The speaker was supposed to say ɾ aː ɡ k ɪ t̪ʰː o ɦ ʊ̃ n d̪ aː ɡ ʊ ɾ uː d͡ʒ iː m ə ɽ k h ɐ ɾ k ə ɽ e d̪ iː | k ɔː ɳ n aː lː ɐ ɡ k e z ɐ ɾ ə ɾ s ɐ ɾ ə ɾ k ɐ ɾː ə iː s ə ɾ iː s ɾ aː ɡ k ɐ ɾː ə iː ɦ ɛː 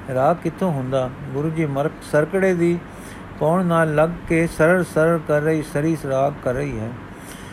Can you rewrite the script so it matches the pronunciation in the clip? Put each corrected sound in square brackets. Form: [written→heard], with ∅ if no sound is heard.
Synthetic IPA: ɾ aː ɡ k ɪ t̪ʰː o ɦ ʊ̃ n d̪ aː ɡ ʊ ɾ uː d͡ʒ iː m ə [ɽ→ɾ] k [h→s] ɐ ɾ k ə ɽ e d̪ iː | k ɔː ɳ n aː lː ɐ ɡ k e [z→s] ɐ ɾ ə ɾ s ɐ ɾ ə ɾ k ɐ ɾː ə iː s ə ɾ iː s ɾ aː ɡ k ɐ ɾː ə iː ɦ ɛː